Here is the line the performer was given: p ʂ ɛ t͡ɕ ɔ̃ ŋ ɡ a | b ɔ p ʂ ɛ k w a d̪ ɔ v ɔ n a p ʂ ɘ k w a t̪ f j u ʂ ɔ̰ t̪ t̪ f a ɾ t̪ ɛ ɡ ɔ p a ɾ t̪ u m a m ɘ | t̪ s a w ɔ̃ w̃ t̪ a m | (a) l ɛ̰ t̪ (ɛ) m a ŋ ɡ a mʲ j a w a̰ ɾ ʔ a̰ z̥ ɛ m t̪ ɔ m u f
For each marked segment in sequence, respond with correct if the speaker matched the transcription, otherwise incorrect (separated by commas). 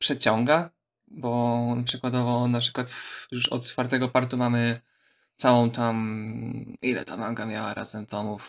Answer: incorrect, incorrect